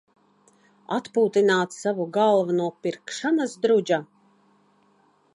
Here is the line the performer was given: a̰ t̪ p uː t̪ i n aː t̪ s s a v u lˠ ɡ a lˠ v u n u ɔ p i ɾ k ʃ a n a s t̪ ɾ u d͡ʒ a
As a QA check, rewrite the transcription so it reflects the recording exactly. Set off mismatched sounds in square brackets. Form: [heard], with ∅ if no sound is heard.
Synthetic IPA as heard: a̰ t̪ p uː t̪ i n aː t̪ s s a v u [∅] ɡ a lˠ v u n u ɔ p i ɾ k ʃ a n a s [d̪] ɾ u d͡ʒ a

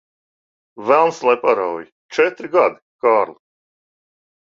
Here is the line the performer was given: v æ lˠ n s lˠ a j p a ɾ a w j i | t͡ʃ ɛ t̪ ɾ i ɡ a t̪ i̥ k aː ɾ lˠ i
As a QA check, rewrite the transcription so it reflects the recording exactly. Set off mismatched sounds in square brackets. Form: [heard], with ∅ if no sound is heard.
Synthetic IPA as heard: v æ lˠ n s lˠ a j p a ɾ a w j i | t͡ʃ ɛ t̪ ɾ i ɡ a [d̪] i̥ k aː ɾ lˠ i

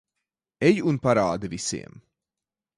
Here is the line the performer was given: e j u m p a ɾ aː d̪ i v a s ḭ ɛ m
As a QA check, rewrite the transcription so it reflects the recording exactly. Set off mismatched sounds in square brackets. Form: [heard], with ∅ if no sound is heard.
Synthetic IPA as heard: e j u [n] p a ɾ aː d̪ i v [i] s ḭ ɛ m

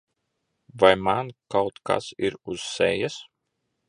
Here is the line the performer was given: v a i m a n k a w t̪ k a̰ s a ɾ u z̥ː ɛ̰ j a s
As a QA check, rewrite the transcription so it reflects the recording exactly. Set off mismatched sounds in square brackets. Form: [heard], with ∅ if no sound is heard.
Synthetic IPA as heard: v a [j] m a n k a w t̪ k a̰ s [i] ɾ u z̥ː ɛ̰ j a s

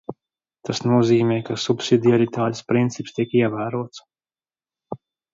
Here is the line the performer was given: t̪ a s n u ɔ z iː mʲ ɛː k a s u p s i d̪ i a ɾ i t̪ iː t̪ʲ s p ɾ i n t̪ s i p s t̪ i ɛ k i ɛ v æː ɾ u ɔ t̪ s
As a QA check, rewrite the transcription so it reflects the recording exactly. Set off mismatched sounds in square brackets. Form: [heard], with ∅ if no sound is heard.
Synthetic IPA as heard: t̪ a s n u ɔ z iː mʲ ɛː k a s u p s i d̪ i a ɾ i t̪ [aː] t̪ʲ s p ɾ i n t̪ s i p s t̪ i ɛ k i ɛ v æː ɾ u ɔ t̪ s

